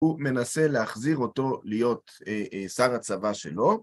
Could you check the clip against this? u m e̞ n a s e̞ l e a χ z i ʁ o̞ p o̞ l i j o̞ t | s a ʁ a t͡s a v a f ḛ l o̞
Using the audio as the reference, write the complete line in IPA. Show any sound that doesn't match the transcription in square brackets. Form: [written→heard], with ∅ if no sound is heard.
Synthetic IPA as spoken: u m e̞ n a s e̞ l e a χ z i ʁ o̞ [p→t] o̞ l i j o̞ t | s a ʁ a t͡s a v a [f→ʃ] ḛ l o̞